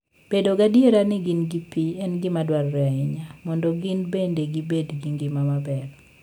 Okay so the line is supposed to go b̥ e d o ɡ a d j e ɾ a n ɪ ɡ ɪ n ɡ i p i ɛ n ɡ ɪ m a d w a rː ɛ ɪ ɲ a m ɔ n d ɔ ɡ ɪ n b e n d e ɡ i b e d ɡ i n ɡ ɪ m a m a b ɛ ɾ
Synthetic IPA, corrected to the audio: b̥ e d o ɡ a d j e ɾ a n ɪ ɡ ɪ n ɡ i p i ɛ n ɡ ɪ m a d w a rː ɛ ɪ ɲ a m ɔ n d ɔ ɡ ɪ n b e n d e ɡ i b e d ɡ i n ɡ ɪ m a m a b ɛ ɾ